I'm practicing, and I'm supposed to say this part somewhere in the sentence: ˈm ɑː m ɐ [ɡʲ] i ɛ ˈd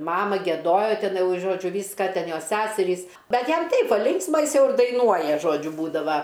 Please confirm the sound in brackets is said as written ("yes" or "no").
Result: yes